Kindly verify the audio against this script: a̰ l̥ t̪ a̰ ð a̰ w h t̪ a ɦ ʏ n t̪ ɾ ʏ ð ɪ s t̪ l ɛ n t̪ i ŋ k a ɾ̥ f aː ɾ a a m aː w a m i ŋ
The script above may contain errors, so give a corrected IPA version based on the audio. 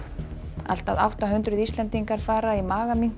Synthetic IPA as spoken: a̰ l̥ t̪ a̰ ð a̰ w h t̪ a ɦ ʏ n t̪ ɾ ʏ ð i s t̪ l ɛ n t̪ i ŋ k a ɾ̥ f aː ɾ a i m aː ɣ a m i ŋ